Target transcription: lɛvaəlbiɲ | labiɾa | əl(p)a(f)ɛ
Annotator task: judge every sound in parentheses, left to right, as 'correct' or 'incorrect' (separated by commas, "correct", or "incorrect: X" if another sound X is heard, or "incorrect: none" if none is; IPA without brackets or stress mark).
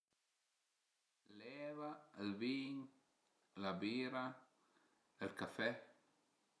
incorrect: k, correct